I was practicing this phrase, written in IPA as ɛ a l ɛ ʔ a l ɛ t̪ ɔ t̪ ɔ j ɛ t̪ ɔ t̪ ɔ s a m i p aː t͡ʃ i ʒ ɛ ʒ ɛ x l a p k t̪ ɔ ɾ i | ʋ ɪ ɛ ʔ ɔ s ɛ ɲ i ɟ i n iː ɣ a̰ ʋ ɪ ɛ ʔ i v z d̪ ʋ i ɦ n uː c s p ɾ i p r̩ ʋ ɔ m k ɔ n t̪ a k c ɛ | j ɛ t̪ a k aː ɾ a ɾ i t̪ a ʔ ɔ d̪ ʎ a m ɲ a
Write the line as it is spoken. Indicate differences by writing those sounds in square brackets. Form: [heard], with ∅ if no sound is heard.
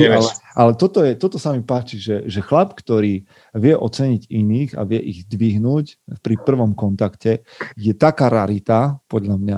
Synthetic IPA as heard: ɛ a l ɛ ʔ a l ɛ t̪ ɔ t̪ ɔ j ɛ t̪ ɔ t̪ ɔ s a m i p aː t͡ʃ i ʒ ɛ ʒ ɛ x l a p k t̪ ɔ ɾ [iː] | ʋ ɪ ɛ ʔ ɔ [t͡s] ɛ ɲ i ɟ i n iː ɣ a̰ ʋ ɪ ɛ ʔ i [ɣ] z d̪ ʋ i ɦ n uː c [f] p ɾ i p r̩ ʋ ɔ m k ɔ n t̪ a k c ɛ | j ɛ t̪ a k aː ɾ a ɾ i t̪ a [p] ɔ d̪ ʎ a m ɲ a